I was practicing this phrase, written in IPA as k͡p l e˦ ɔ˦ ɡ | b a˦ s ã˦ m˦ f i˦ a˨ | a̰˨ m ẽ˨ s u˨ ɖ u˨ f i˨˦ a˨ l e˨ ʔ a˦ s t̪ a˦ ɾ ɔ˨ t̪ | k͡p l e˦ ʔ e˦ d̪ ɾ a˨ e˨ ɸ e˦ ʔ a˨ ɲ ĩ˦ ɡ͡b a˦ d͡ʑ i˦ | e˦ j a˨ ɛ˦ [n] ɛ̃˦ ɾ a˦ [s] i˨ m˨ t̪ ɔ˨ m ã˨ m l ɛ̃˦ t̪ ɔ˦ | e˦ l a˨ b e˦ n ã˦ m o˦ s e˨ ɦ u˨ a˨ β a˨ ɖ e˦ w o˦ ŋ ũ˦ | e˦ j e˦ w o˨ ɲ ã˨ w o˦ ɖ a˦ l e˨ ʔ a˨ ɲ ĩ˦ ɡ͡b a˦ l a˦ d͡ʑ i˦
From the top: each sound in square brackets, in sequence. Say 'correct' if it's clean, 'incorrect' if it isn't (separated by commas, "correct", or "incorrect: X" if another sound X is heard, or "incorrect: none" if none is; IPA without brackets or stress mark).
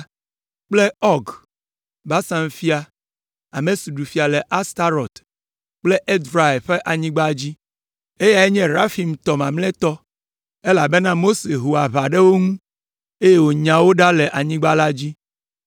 incorrect: ɲ, incorrect: f